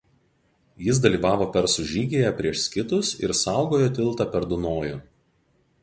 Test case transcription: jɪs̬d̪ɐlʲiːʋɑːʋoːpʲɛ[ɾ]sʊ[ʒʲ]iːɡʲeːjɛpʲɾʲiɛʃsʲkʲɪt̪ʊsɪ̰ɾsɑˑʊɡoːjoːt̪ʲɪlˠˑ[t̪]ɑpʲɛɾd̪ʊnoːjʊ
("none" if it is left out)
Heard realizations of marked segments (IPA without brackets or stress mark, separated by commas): ɾ, ʒʲ, t̪